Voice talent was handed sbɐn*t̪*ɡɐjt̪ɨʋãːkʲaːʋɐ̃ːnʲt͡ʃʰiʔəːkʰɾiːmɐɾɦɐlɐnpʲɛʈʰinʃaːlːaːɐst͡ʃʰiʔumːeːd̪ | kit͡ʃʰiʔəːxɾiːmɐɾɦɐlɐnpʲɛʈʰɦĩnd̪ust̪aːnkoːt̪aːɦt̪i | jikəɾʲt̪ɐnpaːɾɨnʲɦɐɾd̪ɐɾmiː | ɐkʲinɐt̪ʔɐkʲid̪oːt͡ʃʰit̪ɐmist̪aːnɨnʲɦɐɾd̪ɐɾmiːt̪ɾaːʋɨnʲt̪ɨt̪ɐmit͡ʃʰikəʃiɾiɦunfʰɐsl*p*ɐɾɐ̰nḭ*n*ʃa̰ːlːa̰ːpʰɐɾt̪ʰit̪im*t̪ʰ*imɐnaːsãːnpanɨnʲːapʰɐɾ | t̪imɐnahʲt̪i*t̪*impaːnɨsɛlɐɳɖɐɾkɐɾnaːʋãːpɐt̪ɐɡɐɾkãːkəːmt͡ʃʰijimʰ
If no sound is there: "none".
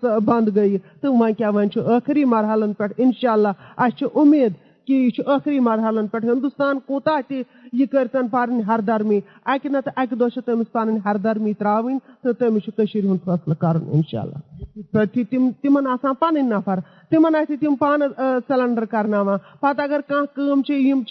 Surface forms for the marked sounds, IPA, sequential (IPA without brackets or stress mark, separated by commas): d̪, k, n, t̪, t̪